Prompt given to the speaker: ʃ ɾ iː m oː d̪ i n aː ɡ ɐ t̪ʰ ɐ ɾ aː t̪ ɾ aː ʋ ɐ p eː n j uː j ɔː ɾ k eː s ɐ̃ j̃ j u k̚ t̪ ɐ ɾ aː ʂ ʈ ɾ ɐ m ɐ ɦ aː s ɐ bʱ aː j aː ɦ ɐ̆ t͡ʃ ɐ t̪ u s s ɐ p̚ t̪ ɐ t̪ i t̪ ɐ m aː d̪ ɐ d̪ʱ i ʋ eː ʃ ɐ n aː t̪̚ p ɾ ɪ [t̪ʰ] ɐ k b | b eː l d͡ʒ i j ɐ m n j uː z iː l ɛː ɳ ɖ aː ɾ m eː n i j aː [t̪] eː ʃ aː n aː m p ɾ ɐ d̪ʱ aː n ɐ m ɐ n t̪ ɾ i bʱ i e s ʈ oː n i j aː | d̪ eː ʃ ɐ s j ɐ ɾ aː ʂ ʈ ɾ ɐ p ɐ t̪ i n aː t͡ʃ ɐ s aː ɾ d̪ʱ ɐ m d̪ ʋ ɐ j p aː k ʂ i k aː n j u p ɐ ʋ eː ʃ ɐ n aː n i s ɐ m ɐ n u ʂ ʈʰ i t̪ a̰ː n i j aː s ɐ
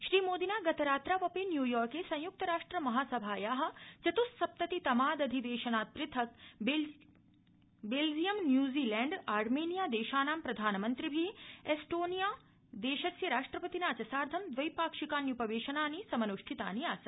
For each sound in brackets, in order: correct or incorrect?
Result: correct, incorrect: d̪

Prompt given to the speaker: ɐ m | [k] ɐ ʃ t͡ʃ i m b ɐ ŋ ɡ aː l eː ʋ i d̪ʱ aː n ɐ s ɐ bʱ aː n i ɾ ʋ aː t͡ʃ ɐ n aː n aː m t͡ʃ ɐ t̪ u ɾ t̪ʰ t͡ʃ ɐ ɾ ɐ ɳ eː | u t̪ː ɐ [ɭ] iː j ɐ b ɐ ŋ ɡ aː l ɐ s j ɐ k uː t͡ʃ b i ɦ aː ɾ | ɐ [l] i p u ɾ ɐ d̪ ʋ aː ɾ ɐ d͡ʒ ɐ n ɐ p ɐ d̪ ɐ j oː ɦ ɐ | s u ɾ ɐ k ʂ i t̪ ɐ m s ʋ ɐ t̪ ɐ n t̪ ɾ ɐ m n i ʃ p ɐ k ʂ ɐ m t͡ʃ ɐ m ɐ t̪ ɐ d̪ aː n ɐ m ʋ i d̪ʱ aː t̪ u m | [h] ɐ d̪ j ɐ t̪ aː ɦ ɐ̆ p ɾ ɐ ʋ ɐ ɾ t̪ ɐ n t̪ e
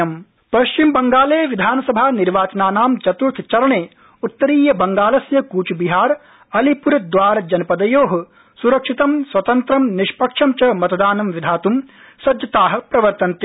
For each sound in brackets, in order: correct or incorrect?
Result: incorrect: p, incorrect: ɾ, correct, incorrect: s

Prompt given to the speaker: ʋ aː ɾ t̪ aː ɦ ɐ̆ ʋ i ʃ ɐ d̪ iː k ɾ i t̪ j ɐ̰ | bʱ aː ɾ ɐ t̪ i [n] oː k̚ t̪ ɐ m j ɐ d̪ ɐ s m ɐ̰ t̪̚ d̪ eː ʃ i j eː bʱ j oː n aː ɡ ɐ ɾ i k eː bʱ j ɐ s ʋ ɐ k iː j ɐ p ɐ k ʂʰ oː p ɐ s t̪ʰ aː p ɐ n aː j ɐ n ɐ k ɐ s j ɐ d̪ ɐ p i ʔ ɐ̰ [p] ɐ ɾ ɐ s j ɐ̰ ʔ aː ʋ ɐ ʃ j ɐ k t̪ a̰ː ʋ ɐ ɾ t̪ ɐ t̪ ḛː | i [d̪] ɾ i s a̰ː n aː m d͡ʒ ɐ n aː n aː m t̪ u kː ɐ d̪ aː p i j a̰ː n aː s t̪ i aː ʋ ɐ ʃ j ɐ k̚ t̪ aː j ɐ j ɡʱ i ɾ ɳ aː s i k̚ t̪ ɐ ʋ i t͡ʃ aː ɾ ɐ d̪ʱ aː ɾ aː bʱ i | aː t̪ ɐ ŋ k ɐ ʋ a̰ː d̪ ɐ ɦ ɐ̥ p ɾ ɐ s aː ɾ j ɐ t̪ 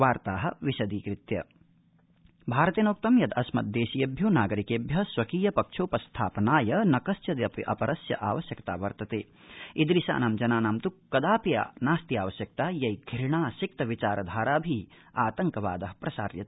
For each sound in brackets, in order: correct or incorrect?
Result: correct, correct, correct

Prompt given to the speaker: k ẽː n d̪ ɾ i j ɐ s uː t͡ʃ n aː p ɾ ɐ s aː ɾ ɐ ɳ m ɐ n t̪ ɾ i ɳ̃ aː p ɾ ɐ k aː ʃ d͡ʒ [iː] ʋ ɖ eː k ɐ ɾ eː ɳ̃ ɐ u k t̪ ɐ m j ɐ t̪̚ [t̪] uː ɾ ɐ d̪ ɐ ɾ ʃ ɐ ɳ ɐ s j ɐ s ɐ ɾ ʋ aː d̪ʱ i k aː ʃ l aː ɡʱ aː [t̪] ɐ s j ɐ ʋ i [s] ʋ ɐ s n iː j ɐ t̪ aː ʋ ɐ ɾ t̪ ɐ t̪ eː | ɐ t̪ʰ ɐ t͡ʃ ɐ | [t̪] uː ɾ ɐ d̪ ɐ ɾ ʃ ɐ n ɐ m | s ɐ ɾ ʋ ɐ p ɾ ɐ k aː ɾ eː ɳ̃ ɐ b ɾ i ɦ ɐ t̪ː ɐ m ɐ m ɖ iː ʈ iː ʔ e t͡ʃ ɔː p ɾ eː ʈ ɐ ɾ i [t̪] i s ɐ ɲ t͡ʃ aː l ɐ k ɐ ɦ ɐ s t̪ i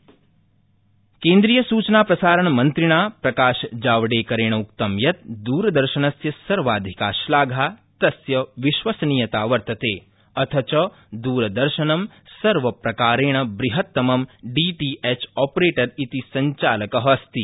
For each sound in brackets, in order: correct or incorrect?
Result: incorrect: aː, incorrect: d̪, correct, incorrect: ʃ, incorrect: d̪, correct

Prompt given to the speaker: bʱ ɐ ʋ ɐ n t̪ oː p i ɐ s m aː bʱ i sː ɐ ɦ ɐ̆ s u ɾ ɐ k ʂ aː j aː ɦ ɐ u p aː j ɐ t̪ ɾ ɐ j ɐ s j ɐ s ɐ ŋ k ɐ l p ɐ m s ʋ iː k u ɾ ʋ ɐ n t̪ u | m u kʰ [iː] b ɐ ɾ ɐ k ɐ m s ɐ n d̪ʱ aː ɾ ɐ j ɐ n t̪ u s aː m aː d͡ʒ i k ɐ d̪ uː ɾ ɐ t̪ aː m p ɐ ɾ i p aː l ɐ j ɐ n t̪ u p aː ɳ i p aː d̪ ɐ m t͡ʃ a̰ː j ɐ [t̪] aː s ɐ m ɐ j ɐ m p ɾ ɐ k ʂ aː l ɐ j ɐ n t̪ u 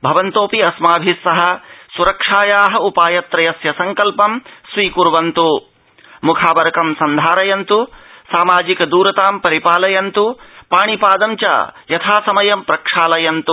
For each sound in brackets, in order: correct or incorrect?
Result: incorrect: aː, incorrect: t̪ʰ

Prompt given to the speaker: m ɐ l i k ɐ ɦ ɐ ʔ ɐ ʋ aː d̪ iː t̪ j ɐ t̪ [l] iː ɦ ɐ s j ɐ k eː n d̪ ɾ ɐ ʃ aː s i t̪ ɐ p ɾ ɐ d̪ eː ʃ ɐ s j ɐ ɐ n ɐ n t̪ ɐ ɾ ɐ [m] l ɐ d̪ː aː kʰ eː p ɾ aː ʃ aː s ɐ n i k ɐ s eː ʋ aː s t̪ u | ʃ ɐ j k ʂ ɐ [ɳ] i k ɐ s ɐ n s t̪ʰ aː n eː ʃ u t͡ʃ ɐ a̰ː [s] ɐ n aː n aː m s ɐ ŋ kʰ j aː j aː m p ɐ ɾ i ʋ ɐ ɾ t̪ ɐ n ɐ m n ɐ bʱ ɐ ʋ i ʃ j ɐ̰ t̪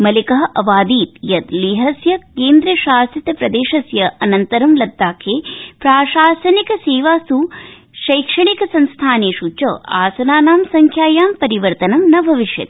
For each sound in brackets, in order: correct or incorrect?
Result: correct, correct, correct, correct

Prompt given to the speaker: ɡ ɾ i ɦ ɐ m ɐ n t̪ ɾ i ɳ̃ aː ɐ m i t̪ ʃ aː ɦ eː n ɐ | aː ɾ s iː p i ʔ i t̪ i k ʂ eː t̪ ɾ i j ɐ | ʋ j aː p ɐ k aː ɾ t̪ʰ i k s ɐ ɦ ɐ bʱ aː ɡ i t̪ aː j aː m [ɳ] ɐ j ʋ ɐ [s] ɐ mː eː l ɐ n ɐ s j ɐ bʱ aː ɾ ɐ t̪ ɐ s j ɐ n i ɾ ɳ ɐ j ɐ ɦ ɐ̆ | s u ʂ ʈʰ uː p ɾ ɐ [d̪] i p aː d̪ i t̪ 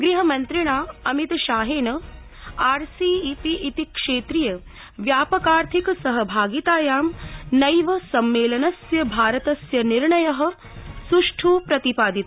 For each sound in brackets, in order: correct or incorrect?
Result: incorrect: n, correct, incorrect: t̪

